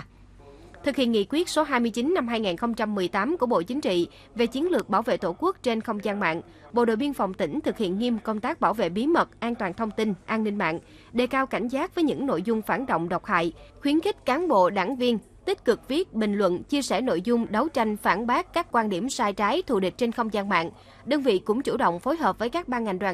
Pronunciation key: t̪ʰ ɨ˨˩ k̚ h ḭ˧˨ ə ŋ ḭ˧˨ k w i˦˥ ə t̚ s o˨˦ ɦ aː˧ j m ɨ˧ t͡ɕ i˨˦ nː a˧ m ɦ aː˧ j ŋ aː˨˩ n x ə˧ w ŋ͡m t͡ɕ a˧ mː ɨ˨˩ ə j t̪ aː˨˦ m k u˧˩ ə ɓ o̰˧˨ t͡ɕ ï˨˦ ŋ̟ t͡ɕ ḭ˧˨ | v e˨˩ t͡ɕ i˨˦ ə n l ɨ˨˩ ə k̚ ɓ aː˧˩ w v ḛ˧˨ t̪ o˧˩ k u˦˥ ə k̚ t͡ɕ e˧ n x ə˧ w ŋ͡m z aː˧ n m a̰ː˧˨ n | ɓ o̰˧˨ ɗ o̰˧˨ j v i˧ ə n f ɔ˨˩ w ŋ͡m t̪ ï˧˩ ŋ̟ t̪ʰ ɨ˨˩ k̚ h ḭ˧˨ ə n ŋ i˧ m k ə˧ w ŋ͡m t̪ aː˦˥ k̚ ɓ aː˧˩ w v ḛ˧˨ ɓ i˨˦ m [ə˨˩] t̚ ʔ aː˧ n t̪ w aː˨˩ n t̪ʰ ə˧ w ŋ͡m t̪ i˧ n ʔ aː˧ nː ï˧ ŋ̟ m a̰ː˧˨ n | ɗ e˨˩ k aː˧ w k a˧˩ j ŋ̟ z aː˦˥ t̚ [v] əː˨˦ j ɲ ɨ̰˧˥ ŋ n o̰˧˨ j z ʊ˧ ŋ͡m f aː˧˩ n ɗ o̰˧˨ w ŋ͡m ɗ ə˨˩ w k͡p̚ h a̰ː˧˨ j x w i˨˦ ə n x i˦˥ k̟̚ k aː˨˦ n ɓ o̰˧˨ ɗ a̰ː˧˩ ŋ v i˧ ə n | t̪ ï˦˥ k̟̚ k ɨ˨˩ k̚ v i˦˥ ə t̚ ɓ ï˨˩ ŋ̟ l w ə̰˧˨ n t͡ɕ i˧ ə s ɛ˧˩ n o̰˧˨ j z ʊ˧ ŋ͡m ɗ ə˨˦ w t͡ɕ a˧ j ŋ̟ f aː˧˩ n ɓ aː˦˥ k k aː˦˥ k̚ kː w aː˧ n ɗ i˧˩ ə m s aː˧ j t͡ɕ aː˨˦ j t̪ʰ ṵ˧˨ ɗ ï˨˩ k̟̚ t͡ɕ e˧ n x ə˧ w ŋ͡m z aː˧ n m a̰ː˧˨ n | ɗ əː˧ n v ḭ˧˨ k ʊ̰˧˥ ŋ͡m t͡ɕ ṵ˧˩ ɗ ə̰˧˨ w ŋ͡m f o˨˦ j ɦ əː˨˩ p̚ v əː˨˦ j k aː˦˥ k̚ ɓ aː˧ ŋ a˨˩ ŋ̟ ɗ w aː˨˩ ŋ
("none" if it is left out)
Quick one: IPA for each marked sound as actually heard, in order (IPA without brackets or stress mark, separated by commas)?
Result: ə˨˩, v